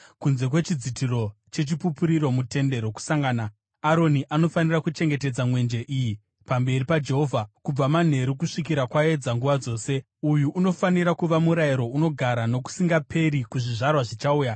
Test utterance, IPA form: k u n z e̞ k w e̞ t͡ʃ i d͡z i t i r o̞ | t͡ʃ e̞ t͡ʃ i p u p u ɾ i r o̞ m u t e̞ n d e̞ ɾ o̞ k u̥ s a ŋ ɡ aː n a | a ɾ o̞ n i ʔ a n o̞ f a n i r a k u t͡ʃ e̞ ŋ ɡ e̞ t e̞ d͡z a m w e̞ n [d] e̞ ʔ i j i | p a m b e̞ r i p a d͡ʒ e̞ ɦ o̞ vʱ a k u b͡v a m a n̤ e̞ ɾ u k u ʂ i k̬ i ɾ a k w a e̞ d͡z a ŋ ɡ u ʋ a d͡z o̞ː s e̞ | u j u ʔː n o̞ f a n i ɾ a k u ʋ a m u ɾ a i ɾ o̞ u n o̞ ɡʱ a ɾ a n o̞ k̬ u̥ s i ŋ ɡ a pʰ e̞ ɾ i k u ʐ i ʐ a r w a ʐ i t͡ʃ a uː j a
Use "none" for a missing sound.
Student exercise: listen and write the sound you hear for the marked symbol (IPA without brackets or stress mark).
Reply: d͡ʒ